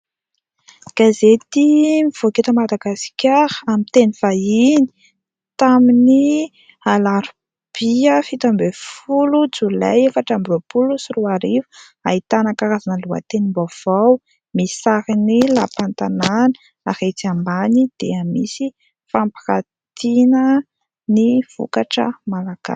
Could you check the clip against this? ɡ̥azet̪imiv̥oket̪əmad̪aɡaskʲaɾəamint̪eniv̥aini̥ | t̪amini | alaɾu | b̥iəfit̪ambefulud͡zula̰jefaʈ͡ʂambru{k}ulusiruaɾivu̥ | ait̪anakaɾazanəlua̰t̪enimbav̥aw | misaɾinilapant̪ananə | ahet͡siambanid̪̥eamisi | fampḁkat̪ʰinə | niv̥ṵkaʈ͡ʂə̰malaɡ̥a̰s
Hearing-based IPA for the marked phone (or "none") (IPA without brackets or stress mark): p